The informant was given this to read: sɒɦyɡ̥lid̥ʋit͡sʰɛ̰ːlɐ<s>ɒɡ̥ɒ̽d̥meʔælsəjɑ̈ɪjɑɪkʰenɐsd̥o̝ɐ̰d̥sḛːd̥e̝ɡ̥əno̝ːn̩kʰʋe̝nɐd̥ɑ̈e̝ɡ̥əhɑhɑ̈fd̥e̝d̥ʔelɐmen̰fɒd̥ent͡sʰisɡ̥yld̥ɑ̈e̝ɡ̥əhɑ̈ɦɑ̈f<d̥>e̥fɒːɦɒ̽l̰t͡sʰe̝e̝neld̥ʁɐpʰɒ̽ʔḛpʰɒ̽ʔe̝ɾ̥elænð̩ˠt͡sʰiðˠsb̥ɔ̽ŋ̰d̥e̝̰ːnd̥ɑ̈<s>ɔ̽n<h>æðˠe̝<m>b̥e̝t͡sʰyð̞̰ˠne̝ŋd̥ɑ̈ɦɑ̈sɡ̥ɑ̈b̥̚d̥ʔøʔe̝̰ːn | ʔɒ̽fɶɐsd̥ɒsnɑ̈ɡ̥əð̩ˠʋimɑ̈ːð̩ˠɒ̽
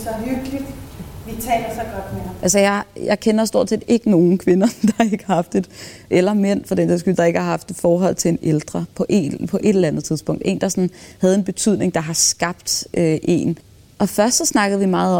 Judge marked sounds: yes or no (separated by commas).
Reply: yes, yes, yes, yes, no